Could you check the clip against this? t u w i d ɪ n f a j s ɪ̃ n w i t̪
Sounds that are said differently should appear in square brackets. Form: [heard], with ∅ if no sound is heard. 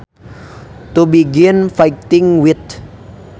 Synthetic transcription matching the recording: t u [b] i [ɡ] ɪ n f a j [t] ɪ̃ [ŋ] w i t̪